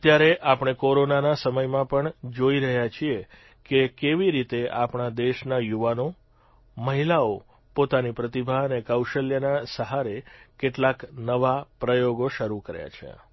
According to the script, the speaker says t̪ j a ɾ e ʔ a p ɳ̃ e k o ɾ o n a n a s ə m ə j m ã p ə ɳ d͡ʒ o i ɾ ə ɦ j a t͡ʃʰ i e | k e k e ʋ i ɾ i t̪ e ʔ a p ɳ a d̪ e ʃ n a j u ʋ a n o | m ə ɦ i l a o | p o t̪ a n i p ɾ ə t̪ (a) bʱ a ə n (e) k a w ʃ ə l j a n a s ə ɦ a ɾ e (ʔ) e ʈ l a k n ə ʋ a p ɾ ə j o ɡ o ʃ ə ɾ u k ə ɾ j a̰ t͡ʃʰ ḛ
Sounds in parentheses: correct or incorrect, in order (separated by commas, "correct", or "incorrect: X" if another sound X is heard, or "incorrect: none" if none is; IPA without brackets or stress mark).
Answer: incorrect: i, correct, incorrect: k